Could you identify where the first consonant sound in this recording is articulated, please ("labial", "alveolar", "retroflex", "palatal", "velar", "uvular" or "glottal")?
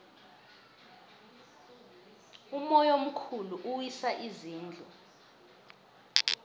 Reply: labial